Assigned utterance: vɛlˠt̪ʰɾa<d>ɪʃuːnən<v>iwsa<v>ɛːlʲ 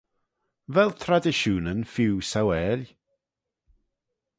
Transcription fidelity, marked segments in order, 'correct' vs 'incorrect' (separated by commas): correct, incorrect, incorrect